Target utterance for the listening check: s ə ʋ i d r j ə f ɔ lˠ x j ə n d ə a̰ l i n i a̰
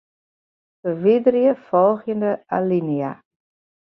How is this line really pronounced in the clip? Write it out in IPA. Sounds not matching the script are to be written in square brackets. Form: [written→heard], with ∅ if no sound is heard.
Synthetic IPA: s ə ʋ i d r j ə f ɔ lˠ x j ə n d ə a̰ l i n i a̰